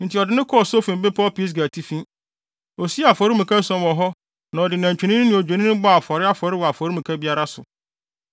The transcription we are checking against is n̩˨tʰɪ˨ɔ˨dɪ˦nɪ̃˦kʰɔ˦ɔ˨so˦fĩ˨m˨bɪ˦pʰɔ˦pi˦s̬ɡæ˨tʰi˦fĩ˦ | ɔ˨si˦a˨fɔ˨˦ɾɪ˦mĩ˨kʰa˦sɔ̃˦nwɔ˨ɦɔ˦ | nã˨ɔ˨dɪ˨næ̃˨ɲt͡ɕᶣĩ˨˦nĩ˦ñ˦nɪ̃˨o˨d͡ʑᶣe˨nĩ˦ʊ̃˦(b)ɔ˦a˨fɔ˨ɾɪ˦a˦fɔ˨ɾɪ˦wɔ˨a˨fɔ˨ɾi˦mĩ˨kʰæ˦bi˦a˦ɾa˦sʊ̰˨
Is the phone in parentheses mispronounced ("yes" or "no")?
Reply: no